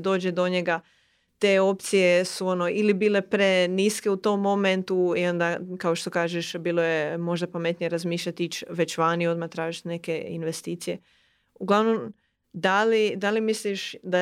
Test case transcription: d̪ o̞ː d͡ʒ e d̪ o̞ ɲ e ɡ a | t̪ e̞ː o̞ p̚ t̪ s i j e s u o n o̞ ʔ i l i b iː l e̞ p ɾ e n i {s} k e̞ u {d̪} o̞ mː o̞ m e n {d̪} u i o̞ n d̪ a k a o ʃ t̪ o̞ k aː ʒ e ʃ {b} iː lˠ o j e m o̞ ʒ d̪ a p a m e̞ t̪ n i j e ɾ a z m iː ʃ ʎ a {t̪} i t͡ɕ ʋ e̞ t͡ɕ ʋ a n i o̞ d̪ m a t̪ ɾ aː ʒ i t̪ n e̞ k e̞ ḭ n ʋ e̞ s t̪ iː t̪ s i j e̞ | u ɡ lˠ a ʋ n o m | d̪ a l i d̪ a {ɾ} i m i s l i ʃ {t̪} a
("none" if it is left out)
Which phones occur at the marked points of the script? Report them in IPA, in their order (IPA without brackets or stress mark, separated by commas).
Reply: s, t̪, t̪, b, t̪, l, d̪